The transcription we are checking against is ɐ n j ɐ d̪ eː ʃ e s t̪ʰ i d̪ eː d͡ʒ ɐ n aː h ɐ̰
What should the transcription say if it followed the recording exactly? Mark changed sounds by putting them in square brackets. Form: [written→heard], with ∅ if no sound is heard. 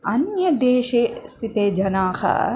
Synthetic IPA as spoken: ɐ n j ɐ d̪ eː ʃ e s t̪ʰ i [d̪→t̪] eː d͡ʒ ɐ n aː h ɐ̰